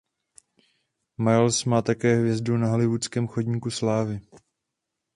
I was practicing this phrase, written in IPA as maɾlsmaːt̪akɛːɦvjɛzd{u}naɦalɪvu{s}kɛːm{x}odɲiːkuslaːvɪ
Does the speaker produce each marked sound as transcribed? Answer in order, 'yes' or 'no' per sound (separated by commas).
yes, no, yes